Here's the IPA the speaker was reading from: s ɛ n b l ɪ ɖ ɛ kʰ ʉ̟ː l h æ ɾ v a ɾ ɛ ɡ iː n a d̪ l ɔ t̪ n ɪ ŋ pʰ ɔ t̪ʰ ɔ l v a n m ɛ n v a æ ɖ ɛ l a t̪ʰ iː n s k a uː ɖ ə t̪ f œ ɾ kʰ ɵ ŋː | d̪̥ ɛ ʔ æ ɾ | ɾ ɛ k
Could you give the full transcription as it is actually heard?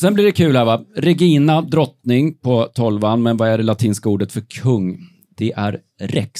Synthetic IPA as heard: s ɛ n b l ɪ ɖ ɛ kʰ ʉ̟ː l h æ ɾ v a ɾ ɛ ɡ iː n a d̪ ɾ ɔ t̪ n ɪ ŋ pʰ ɔ t̪ʰ ɔ l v a n m ɛ n v a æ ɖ ɛ l a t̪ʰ iː n s k a uː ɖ ə t̪ f œ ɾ kʰ ɵ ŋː | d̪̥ ɛ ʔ æ ɾ | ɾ ɛ k